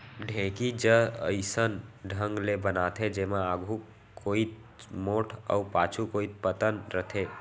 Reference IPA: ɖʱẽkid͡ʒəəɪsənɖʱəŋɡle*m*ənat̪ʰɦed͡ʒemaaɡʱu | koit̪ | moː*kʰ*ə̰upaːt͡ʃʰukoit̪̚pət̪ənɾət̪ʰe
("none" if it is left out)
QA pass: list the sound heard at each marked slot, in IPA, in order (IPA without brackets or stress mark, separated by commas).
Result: b, ʈʰ